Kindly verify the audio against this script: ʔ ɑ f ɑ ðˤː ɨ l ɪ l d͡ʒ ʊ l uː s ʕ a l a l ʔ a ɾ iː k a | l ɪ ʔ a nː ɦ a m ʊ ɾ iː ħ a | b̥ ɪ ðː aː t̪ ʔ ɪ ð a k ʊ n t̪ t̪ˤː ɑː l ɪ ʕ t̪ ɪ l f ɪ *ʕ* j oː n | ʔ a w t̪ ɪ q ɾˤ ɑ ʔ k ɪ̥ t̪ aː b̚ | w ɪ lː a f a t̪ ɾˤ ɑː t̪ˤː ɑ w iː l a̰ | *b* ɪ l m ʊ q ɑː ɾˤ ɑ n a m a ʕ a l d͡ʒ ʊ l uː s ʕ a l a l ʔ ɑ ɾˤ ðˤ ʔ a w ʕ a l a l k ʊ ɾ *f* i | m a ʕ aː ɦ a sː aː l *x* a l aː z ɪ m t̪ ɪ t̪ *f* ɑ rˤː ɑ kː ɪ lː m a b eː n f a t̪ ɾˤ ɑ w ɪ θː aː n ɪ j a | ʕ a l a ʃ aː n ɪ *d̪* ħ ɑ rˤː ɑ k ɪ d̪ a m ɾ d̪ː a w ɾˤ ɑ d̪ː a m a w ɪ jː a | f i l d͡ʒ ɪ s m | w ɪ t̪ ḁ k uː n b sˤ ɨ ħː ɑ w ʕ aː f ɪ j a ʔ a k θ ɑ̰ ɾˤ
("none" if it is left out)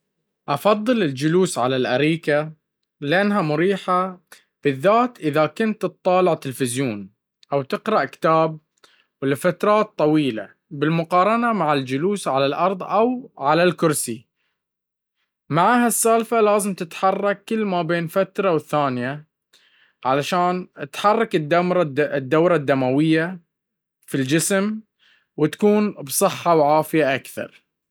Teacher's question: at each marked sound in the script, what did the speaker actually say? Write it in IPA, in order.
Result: z, b, s, f, ħ, t̪

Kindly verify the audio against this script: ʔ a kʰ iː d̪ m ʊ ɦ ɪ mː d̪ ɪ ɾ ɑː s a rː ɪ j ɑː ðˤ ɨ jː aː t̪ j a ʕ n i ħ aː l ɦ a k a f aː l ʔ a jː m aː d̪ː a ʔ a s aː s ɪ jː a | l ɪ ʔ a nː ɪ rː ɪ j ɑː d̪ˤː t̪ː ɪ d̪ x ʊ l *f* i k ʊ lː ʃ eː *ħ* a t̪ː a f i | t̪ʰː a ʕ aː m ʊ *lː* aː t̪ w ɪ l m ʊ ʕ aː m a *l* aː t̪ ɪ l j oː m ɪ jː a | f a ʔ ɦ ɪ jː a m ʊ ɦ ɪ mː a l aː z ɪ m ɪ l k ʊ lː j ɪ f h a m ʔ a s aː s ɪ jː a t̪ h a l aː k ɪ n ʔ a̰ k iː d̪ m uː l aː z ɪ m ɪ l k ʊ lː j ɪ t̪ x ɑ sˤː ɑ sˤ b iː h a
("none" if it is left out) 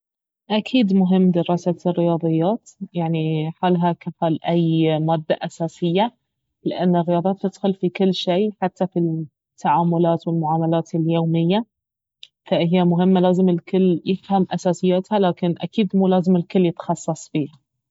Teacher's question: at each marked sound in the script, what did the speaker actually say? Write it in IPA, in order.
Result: f, ħ, l, l

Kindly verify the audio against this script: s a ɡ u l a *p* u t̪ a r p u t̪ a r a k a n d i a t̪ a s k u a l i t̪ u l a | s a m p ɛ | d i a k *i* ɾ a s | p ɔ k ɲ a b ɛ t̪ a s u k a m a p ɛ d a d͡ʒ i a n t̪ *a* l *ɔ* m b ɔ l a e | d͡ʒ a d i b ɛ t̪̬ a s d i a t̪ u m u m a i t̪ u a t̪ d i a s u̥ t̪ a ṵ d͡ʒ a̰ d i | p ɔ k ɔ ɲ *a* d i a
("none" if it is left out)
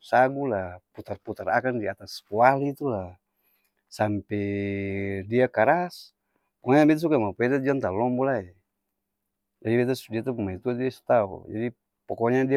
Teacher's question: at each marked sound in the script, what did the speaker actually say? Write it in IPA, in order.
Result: p, a, a, ɔ, a

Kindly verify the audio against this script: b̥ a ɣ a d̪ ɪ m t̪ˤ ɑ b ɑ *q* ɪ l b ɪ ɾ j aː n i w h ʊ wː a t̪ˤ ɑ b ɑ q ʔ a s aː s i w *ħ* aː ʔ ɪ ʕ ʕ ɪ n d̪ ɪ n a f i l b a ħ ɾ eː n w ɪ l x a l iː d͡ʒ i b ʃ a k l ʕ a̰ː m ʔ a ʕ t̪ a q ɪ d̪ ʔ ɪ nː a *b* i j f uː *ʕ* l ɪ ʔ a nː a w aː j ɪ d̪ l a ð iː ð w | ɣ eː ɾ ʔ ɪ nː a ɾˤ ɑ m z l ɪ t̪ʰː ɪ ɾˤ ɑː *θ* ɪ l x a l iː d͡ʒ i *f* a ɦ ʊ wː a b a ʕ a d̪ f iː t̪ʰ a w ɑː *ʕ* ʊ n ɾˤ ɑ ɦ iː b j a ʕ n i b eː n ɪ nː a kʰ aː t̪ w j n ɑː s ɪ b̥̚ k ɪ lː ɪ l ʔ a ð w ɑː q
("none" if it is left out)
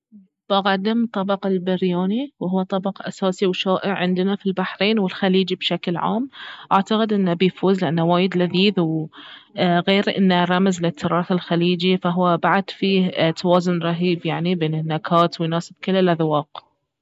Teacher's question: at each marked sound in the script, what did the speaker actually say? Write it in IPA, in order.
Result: q, ʃ, b, z, θ, f, z

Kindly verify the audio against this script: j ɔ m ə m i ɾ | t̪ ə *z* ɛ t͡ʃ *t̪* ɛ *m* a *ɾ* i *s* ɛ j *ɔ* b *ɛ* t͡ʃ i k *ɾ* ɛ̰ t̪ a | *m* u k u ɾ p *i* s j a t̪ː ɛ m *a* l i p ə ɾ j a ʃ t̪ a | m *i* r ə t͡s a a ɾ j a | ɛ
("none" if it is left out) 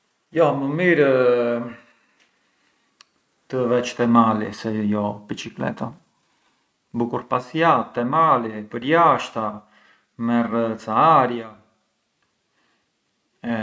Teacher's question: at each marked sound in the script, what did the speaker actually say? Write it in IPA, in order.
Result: v, t̪, m, l, s, ɔ, i, l, b, a, a, ɛ

